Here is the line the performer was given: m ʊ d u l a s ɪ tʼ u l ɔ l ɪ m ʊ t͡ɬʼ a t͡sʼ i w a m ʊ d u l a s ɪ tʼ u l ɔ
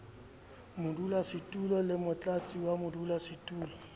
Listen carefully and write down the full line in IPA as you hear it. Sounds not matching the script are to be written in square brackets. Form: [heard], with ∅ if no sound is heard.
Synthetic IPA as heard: m ʊ d u l a s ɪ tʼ u l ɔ l ɪ m ʊ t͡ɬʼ a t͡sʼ i w a m ʊ d u l a s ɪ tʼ [uː] l ɔ